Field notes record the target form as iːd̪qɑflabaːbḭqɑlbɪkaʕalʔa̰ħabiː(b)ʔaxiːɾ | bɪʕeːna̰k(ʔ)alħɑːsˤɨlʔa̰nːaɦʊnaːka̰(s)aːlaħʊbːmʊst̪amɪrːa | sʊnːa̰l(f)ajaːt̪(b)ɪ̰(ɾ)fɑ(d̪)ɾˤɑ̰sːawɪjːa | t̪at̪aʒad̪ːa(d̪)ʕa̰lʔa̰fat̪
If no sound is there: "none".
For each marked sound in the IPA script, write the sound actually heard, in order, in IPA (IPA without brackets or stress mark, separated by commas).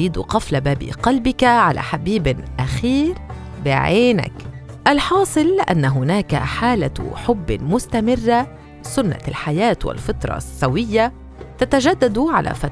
b, ʔ, ħ, ħ, w, l, t̪, d̪